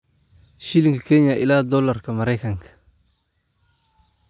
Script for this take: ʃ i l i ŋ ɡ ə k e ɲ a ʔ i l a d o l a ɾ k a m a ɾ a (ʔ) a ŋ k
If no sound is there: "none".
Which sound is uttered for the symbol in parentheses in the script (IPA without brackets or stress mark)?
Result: k